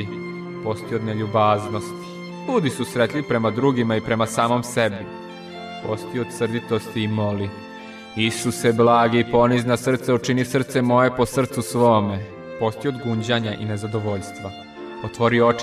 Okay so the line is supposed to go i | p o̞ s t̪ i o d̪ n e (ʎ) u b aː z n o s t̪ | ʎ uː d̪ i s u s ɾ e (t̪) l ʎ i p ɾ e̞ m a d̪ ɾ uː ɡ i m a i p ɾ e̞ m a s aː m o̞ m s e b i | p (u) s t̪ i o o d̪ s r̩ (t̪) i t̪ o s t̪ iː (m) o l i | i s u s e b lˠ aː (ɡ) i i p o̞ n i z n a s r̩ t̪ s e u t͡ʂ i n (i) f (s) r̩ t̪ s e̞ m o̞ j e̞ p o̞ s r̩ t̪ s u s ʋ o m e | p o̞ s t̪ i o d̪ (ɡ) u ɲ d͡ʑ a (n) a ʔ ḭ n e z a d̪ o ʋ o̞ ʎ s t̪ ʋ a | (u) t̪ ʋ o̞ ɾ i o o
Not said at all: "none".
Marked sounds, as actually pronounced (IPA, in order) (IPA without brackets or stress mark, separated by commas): ʎ, t̪, o, d̪, m, ɡ, i, s, ɡ, ɲ, o